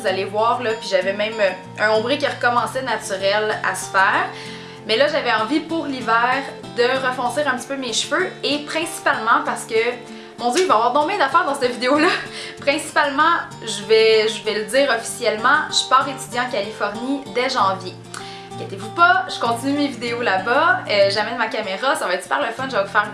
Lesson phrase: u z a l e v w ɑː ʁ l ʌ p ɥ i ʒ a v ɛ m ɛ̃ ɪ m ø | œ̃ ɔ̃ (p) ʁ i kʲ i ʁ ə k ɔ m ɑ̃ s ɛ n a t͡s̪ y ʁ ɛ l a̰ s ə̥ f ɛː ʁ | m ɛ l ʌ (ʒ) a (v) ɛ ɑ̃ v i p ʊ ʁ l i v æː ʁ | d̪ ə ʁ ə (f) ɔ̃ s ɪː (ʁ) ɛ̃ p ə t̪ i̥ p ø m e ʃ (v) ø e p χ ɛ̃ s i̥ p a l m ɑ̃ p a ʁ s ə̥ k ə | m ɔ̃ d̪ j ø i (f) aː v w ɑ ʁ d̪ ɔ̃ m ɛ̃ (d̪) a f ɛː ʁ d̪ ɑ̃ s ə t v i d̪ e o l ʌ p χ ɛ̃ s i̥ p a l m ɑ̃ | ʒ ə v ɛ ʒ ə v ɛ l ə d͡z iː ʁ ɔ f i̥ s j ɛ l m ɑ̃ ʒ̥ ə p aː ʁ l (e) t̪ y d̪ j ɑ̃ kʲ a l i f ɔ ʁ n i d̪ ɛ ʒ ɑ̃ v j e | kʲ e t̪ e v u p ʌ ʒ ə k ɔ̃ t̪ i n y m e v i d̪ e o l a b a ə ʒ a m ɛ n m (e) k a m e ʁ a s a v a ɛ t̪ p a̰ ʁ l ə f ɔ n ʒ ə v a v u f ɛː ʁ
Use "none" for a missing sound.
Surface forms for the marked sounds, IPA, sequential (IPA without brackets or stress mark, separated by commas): b, ʒ, v, f, ʁ, f, v, d̪, e, a